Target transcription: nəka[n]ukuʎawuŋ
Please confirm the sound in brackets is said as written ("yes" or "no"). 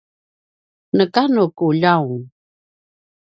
yes